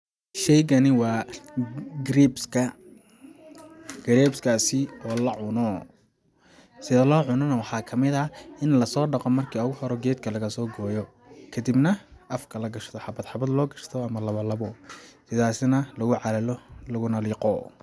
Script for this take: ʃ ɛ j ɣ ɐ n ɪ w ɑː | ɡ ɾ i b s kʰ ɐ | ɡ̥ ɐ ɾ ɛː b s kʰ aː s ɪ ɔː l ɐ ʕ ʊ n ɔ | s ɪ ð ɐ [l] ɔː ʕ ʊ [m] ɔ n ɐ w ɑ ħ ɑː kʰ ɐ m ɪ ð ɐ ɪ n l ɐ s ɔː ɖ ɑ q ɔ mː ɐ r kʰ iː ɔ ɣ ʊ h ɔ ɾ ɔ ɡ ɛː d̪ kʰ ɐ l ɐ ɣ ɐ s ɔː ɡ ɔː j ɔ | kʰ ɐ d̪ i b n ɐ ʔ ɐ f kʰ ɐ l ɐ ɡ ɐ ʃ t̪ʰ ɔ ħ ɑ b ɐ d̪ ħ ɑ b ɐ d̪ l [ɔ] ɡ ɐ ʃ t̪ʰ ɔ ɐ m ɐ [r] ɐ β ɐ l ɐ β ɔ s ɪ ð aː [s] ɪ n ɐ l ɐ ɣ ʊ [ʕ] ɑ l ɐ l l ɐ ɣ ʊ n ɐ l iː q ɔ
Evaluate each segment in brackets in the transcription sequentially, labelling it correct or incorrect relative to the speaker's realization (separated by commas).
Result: correct, incorrect, incorrect, incorrect, correct, correct